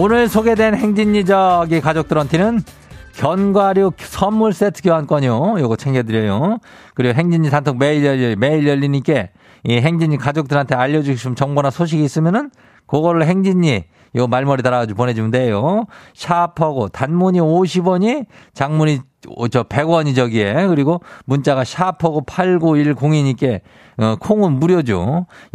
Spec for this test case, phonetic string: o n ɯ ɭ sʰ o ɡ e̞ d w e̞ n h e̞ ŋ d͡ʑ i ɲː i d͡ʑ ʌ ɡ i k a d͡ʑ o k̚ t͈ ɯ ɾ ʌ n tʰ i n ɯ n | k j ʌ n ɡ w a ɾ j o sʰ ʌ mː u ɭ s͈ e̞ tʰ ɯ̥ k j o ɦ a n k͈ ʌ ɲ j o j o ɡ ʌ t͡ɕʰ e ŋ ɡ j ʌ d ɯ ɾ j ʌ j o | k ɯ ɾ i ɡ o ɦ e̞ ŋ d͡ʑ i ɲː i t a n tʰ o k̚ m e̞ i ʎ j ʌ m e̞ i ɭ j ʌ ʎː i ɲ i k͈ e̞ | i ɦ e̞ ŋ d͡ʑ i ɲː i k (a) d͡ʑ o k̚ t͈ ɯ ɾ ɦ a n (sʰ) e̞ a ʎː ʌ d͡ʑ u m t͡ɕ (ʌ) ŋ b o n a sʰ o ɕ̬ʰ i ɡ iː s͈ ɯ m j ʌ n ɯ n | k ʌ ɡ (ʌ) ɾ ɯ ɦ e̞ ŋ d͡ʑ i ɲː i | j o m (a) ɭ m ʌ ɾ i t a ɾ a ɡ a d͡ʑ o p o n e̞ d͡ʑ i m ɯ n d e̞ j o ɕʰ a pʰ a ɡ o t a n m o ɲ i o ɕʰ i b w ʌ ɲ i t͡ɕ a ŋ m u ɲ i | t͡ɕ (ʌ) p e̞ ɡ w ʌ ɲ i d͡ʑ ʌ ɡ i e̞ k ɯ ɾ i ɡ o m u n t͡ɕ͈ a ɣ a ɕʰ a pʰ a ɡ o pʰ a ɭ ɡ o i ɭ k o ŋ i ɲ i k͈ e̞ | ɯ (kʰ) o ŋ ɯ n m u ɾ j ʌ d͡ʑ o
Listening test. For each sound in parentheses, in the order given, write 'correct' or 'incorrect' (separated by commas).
correct, incorrect, correct, correct, correct, correct, correct